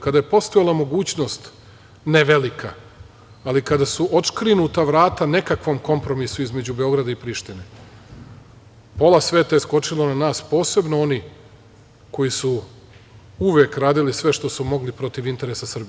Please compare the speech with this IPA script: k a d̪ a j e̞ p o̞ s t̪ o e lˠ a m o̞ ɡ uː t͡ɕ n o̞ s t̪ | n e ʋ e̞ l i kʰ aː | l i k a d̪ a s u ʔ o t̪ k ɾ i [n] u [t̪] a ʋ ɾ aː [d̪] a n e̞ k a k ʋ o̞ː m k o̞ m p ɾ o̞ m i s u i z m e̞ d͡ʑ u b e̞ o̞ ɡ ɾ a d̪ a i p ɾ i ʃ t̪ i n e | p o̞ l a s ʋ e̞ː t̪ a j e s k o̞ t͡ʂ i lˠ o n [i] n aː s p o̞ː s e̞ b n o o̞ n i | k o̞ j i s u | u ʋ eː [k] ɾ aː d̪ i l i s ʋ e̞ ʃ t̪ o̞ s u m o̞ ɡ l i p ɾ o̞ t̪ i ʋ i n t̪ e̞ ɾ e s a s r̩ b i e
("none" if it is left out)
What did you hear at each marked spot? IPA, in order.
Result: n, t̪, t̪, a, k

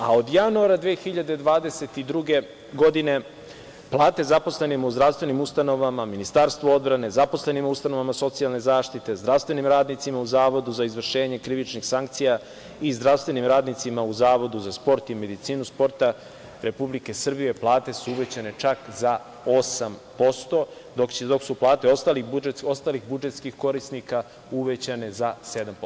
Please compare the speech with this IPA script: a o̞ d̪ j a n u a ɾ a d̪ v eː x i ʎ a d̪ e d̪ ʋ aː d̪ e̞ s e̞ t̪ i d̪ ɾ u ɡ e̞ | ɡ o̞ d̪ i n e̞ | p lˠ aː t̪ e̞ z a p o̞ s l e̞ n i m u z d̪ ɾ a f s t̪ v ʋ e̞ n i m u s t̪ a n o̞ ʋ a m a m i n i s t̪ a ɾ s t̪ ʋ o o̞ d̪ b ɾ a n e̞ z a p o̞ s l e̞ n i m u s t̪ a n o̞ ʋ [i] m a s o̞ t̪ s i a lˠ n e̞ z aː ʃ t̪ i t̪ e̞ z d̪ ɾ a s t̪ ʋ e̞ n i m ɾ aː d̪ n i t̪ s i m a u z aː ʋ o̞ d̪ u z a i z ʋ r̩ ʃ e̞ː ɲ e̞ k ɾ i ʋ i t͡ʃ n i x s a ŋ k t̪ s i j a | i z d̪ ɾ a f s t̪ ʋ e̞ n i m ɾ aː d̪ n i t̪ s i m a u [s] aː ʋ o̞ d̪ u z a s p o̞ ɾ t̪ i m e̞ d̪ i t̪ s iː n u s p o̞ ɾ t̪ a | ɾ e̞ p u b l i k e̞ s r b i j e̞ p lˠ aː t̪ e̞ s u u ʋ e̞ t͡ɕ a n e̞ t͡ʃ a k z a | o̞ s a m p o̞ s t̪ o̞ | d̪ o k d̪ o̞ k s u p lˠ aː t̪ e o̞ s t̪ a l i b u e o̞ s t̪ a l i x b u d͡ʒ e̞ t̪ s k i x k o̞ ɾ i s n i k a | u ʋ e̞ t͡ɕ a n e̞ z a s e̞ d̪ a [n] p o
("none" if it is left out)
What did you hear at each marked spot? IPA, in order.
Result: a, z, m

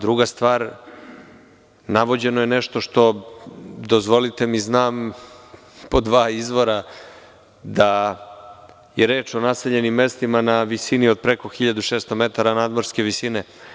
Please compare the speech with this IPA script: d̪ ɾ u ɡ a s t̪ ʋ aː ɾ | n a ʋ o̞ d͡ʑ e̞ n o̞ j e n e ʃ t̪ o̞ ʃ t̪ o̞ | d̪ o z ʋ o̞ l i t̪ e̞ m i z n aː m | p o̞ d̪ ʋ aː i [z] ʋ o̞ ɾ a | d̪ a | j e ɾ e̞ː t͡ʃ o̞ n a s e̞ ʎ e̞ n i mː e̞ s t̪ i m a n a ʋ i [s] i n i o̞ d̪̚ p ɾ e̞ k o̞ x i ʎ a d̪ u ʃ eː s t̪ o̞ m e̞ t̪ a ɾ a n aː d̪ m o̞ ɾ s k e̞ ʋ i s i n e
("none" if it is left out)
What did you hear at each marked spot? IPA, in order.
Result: z, s

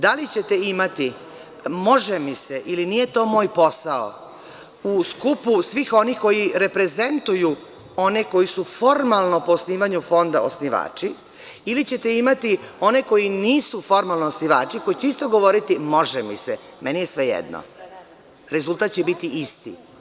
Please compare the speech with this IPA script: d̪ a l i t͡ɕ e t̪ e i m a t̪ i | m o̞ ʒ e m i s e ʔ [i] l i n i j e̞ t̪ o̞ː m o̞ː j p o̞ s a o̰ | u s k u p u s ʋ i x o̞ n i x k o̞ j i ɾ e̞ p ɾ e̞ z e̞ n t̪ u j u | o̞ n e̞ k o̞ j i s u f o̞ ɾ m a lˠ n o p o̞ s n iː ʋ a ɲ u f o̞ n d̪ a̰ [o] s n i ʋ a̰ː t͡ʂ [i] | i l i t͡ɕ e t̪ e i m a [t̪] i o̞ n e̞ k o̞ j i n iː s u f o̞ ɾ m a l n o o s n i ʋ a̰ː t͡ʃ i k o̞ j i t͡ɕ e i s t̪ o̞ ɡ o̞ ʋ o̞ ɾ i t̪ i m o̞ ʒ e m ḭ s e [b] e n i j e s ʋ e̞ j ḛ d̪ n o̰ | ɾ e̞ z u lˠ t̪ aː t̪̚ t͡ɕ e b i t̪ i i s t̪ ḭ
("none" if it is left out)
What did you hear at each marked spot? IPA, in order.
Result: i, o, i, t̪, m

